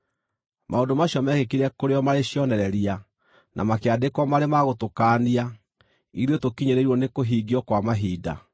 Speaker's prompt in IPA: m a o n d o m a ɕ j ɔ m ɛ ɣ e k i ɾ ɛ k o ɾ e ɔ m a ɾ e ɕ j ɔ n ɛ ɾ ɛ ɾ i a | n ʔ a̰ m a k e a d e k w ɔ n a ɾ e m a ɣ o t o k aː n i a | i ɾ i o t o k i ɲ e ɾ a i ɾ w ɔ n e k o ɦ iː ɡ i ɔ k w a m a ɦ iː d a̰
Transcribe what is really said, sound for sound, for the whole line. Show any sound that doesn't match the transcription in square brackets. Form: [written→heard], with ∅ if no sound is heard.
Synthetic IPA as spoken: m a o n d o m a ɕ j ɔ m ɛ ɣ e k i ɾ ɛ k o ɾ e ɔ m a ɾ e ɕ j ɔ n ɛ ɾ ɛ ɾ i a | n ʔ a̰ m a k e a d e k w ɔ [n→m] a ɾ e m a ɣ o t o k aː n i a | i ɾ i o t o k i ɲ e ɾ [a→e] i ɾ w ɔ n e k o ɦ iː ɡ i ɔ k w a m a ɦ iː d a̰